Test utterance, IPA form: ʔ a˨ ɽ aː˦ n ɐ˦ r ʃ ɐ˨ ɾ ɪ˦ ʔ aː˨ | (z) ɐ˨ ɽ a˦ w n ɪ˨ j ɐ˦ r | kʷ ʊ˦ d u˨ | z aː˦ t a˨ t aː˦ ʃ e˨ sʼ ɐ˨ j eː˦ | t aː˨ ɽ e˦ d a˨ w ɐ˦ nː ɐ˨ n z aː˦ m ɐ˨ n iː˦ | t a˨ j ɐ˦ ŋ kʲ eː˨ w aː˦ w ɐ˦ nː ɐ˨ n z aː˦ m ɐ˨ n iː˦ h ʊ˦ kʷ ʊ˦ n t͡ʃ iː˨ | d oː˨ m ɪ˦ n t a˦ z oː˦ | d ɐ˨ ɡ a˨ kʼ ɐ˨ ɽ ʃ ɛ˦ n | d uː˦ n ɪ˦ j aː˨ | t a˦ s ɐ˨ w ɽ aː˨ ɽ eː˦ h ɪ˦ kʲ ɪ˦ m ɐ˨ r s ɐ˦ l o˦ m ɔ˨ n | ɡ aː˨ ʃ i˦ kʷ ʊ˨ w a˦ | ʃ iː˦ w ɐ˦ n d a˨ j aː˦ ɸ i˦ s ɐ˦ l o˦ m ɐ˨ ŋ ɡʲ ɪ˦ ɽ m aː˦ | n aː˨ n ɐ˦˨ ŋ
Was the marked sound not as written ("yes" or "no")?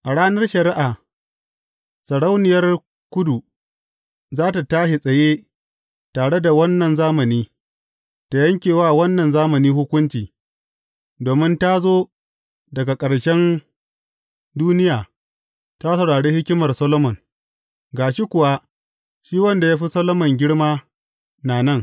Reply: yes